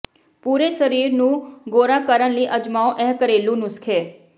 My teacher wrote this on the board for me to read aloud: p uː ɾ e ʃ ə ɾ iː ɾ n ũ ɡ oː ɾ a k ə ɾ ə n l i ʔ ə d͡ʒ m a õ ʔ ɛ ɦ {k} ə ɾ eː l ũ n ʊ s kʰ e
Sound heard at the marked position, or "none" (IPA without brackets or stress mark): k